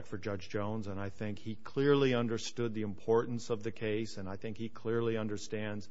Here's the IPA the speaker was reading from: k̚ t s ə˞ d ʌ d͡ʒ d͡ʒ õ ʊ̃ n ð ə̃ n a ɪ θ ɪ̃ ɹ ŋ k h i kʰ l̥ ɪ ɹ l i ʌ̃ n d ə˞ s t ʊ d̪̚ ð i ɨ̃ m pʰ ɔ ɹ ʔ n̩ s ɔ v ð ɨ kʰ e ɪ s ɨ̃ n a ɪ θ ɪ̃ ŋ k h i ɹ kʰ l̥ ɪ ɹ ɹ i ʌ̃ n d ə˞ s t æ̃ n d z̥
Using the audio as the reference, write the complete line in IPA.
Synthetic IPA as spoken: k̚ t f ə˞ d͡ʒ ʌ d͡ʒ d͡ʒ õ ʊ̃ n z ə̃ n a ɪ θ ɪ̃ ŋ k h i kʰ l̥ ɪ ɹ l i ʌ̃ n d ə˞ s t ʊ d̪̚ ð i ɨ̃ m pʰ ɔ ɹ ʔ n̩ s ʌ v ð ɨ kʰ e ɪ s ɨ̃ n a ɪ θ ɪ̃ ŋ k h i kʰ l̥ ɪ ɹ l i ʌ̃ n d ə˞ s t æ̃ n d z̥